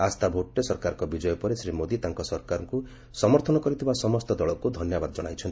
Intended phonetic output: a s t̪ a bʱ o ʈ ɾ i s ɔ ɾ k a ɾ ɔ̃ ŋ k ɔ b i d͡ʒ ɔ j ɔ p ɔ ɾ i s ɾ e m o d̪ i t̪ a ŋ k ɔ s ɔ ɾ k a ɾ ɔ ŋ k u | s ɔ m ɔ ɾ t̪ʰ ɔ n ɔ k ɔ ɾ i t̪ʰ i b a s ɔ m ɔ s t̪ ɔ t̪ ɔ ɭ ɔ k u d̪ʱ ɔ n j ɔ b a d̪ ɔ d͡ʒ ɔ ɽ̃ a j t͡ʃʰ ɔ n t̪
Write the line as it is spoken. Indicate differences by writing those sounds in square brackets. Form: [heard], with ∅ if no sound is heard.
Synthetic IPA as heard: a s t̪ a bʱ o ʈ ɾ [e] s ɔ ɾ k a ɾ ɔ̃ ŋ k ɔ b i d͡ʒ ɔ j ɔ p ɔ ɾ [e] s ɾ [i] m o d̪ i t̪ a ŋ k ɔ s ɔ ɾ k a ɾ ɔ ŋ k u | s ɔ m ɔ ɾ t̪ʰ ɔ n ɔ k ɔ ɾ i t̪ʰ i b a s ɔ m ɔ s t̪ ɔ [d̪] ɔ ɭ ɔ k u d̪ʱ ɔ n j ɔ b a d̪ ɔ d͡ʒ ɔ ɽ̃ a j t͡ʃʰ ɔ n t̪